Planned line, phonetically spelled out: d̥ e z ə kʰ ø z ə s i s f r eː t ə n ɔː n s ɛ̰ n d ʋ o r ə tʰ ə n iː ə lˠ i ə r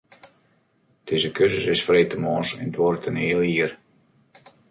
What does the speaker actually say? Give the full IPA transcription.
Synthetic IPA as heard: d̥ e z ə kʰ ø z ə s ɪ s f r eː t ə m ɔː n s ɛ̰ n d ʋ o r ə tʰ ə n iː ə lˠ i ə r